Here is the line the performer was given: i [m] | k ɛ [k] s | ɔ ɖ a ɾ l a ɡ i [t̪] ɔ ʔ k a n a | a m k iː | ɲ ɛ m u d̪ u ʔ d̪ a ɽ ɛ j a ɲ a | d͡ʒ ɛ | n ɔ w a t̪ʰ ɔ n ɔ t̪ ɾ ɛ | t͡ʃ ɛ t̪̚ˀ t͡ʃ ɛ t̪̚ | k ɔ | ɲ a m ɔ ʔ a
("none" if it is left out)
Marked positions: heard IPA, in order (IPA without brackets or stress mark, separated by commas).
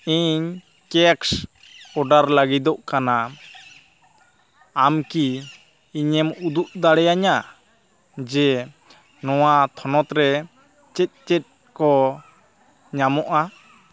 ɲ, k, d̪